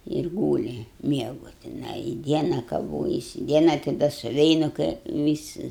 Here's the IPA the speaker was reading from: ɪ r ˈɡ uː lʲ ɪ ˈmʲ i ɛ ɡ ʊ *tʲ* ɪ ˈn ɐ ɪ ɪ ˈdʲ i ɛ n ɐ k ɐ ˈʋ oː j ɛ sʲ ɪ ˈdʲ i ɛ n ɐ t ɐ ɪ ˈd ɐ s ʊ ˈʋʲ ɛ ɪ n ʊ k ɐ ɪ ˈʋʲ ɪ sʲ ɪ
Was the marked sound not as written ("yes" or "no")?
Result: no